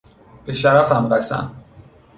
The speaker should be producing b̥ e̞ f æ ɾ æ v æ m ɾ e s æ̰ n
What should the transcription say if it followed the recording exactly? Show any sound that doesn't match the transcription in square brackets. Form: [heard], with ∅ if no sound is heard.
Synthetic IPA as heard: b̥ e̞ [ʃ] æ ɾ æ [f] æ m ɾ [æ] s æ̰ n